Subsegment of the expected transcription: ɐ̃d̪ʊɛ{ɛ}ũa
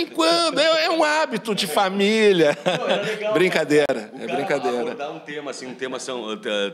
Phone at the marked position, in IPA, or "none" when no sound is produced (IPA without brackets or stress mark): ɛ